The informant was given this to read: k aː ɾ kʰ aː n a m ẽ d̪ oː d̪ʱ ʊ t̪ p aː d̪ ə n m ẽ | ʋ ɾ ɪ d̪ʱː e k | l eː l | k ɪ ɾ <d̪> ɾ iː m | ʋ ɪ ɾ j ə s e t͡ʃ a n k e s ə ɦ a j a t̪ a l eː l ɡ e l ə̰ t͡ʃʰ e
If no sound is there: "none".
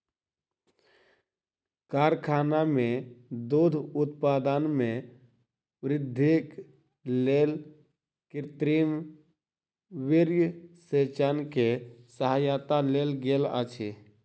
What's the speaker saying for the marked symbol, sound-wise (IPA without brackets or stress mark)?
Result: t̪